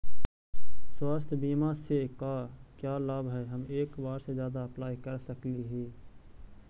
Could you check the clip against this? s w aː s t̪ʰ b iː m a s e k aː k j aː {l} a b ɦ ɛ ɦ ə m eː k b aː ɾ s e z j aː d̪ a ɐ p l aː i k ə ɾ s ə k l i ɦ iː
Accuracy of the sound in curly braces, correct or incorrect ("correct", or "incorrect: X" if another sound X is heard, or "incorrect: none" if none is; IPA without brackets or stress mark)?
correct